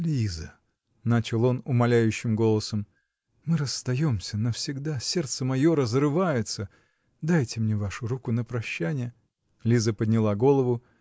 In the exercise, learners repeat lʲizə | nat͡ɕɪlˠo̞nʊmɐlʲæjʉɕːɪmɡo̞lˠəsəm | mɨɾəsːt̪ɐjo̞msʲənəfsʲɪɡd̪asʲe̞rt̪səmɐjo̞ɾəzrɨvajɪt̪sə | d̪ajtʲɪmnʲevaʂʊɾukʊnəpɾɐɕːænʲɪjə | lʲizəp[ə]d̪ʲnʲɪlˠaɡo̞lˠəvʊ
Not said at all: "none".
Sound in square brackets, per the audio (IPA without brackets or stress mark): ə